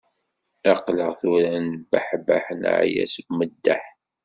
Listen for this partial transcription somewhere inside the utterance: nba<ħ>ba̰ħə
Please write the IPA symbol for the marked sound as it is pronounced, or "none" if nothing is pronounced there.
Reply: ħ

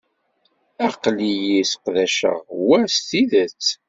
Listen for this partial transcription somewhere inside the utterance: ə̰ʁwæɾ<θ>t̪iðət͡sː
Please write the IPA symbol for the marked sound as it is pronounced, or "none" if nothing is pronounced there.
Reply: s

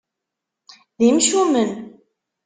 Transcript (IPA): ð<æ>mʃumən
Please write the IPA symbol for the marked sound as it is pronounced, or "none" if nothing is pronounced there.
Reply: i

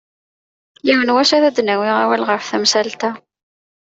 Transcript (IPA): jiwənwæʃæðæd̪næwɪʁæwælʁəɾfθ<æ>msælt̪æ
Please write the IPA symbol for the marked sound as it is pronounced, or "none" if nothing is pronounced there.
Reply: æ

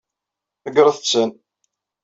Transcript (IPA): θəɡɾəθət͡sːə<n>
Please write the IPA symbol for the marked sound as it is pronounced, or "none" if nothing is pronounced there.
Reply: n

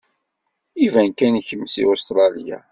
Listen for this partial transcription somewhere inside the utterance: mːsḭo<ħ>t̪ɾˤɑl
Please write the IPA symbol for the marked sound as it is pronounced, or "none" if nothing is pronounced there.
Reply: s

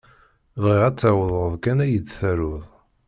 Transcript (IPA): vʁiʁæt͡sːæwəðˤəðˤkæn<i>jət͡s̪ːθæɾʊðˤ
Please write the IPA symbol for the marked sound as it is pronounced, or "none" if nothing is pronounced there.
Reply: æ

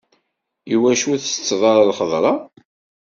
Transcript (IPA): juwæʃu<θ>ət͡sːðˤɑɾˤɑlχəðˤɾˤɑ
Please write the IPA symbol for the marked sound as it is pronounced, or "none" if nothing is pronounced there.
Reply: θ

